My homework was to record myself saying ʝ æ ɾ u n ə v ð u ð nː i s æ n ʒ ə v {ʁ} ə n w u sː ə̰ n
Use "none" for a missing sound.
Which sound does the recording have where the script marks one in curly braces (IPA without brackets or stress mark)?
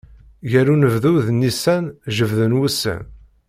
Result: ð